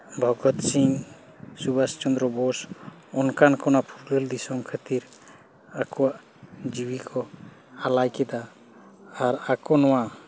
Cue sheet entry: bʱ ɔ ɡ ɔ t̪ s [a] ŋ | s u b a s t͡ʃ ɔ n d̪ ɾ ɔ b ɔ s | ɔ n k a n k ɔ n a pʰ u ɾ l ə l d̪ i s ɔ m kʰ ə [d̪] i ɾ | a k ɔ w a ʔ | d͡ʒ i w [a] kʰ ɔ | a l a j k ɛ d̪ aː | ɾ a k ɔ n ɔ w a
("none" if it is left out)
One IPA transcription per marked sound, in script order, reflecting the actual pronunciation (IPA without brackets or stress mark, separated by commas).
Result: i, t̪, i